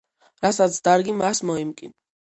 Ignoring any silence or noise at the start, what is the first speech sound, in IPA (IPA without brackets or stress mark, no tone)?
ɾ